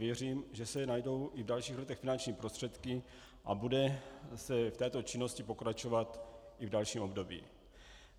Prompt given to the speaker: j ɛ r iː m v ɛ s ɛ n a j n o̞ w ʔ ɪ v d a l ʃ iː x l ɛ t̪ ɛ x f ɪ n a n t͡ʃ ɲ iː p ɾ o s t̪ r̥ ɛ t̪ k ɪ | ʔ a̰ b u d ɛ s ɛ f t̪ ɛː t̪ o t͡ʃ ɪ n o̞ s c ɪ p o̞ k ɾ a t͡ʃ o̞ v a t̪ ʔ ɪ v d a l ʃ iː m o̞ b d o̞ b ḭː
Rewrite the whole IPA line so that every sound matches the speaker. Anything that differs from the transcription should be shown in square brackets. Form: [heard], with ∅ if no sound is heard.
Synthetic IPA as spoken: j ɛ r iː m [ʒ] ɛ s ɛ n a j [d] o̞ w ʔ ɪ v d a l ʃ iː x l ɛ t̪ ɛ x f ɪ n a n t͡ʃ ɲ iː p ɾ o s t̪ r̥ ɛ t̪ k ɪ | ʔ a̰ b u d ɛ s ɛ f t̪ ɛː t̪ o t͡ʃ ɪ n o̞ s c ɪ p o̞ k ɾ a t͡ʃ o̞ v a t̪ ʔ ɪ v d a l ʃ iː m o̞ b d o̞ b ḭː